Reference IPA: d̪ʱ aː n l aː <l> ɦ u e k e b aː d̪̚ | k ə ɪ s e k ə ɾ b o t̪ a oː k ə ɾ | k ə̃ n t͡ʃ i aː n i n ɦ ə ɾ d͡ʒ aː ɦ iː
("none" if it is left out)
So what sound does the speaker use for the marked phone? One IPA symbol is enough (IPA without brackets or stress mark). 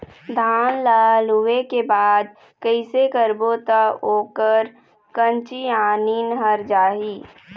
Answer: l